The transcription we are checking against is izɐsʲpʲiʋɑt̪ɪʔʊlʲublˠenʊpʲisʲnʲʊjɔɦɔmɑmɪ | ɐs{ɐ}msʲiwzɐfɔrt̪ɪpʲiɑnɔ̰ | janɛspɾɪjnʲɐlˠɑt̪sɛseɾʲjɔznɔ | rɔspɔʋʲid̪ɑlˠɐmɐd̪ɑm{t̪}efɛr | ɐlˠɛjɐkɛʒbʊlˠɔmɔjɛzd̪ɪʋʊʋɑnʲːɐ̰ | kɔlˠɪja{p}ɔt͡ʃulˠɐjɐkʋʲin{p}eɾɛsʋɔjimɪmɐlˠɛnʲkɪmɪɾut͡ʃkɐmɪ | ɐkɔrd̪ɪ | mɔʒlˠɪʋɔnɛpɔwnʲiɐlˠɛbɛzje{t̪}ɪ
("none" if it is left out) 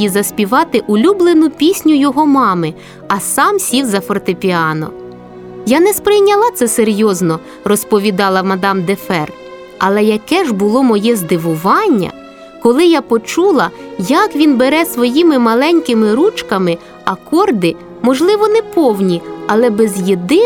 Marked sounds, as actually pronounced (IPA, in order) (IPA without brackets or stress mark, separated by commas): ɑ, d̪, p, b, d̪